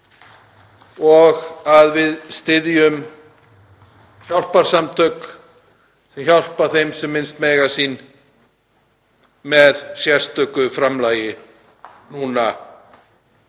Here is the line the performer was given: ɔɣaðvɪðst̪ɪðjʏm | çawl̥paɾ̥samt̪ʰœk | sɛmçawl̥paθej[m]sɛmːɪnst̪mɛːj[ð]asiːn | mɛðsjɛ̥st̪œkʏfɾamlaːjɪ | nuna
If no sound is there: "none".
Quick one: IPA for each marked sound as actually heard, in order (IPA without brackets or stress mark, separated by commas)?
m, ɣ